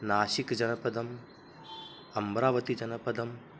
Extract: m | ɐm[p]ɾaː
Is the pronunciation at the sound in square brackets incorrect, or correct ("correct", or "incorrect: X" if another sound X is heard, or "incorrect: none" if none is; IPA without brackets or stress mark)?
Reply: incorrect: b